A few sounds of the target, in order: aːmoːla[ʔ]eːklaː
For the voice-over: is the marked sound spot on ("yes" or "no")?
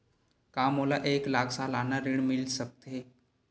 yes